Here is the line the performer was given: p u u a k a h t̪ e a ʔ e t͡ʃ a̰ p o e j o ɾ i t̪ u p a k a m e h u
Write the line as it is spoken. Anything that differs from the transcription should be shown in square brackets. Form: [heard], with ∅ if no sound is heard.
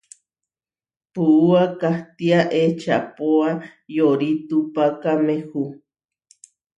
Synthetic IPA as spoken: p u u a k a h t̪ [i] a ʔ e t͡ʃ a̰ p o [a] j o ɾ i t̪ u p a k a m e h u